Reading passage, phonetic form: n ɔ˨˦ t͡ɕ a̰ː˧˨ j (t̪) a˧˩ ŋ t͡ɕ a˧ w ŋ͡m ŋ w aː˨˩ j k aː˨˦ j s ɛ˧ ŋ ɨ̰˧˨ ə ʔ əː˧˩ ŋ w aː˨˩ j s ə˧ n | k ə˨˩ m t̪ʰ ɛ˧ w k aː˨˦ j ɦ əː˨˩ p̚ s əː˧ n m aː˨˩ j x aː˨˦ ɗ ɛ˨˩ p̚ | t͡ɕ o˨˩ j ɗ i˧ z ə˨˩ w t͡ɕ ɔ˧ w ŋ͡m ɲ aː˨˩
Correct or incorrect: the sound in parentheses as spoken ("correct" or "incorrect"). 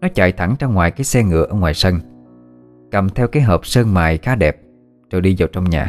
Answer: incorrect